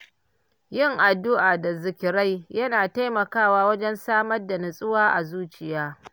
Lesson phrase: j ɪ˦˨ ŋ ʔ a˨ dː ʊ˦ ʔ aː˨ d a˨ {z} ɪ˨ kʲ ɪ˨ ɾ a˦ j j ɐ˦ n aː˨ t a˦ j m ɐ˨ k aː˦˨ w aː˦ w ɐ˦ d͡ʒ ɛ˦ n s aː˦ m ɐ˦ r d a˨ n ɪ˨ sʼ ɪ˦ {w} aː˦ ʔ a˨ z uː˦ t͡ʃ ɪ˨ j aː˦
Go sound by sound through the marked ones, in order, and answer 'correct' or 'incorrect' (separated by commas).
correct, correct